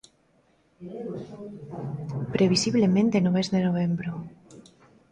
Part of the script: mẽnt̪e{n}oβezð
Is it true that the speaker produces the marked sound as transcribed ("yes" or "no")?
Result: yes